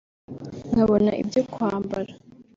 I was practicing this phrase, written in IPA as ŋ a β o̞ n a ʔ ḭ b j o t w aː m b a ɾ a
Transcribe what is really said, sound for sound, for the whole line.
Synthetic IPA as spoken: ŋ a β o̞ n a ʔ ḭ b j o k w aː m b a ɾ a